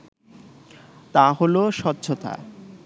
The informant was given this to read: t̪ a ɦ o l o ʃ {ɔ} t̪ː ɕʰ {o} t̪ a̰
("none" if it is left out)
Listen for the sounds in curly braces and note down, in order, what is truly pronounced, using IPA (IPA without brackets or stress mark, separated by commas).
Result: ɔ, o